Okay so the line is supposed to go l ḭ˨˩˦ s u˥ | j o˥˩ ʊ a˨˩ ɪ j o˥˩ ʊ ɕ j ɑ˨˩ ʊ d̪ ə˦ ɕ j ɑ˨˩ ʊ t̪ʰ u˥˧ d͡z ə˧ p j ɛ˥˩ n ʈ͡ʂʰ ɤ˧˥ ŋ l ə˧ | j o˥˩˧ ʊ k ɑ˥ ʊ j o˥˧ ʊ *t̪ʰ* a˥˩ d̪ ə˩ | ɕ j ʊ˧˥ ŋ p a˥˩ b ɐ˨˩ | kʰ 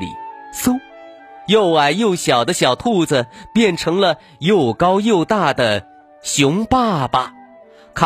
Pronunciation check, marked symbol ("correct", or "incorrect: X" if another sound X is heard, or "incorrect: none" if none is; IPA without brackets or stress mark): incorrect: t̪